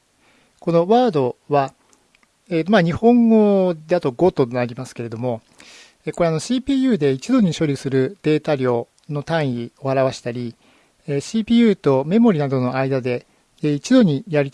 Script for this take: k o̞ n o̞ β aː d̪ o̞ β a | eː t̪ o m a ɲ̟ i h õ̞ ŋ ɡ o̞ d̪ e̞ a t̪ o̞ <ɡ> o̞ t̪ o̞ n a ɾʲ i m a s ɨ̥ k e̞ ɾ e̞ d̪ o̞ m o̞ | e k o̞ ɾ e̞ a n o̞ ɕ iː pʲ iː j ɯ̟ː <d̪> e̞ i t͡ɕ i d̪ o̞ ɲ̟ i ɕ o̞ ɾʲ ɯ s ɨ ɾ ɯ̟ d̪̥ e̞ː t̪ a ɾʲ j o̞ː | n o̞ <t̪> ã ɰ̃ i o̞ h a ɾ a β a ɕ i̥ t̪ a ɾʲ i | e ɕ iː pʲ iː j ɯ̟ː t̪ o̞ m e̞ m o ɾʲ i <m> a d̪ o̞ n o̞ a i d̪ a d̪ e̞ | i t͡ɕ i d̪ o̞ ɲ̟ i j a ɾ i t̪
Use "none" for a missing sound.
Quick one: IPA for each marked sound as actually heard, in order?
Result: ɡ, d̪, t̪, n

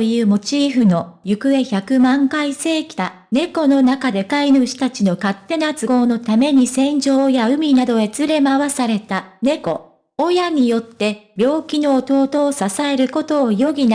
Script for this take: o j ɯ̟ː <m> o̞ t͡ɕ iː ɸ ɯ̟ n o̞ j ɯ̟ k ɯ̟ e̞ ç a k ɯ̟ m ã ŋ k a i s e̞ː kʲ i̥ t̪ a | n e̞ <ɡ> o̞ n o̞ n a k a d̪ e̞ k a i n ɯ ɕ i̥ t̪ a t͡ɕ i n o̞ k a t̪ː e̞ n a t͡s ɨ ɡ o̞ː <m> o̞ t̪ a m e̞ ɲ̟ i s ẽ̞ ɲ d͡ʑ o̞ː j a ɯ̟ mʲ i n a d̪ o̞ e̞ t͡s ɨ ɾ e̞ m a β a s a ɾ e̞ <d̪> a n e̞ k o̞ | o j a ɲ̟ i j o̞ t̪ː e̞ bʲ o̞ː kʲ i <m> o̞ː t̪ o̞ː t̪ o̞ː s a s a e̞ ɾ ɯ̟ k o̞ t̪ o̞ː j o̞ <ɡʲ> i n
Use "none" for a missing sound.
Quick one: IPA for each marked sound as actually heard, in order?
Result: m, k, n, t̪, n, ɡʲ

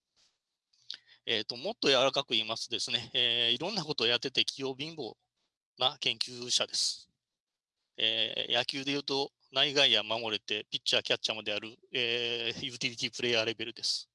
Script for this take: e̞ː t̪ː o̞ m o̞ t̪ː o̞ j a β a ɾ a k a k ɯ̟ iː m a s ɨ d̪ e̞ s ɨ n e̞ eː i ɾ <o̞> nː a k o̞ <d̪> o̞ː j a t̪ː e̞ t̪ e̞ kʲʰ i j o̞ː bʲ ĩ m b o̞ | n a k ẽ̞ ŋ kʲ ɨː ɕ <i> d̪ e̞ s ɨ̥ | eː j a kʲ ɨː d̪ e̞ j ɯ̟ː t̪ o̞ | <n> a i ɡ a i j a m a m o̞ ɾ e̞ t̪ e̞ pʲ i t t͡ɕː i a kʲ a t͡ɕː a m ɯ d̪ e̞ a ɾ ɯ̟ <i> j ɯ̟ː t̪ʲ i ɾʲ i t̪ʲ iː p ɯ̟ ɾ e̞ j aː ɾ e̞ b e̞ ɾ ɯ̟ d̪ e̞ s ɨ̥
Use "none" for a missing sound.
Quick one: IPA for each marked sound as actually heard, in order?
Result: õ̞, t̪, a, n, e

